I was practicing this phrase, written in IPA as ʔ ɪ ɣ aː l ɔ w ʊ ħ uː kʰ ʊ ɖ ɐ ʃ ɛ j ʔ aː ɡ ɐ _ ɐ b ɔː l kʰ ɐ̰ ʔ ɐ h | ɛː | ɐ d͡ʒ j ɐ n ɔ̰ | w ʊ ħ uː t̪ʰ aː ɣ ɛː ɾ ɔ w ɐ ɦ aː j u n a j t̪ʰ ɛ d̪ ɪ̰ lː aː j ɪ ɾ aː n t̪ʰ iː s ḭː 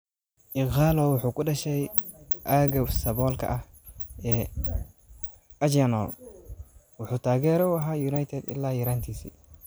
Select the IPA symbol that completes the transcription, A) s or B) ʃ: A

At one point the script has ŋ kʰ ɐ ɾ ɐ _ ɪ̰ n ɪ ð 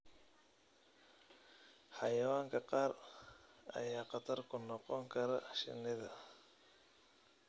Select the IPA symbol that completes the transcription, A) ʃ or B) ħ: A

